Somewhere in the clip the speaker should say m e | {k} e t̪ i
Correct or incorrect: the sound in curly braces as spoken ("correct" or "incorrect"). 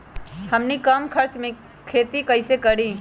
incorrect